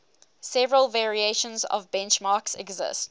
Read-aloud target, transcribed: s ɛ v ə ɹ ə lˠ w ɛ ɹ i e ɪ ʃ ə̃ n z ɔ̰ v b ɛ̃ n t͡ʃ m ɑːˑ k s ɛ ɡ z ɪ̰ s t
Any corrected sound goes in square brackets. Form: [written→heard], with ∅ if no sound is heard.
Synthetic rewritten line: s ɛ v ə ɹ ə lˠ [w→v] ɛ ɹ i e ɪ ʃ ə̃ n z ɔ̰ v b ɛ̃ n t͡ʃ m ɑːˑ k s ɛ ɡ z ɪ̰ s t